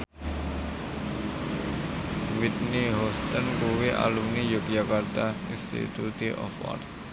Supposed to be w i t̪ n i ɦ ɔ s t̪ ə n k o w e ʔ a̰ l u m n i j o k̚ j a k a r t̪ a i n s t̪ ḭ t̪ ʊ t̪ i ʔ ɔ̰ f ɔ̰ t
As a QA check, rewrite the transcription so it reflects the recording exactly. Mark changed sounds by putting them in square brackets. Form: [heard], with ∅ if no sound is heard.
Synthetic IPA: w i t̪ n i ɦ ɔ s t̪ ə n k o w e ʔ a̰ l u m n i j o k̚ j a k a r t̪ a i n s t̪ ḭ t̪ [u] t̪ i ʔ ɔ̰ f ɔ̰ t